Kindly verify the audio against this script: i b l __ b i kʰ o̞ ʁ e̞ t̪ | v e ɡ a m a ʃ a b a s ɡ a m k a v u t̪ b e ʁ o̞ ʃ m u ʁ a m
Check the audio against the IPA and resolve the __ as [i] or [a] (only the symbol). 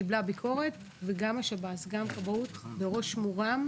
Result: a